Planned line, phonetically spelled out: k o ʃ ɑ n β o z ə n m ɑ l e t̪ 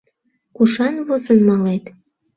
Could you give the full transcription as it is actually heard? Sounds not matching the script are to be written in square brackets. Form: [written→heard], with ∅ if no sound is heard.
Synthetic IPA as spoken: k [o→u] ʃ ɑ n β o z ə n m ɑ l e t̪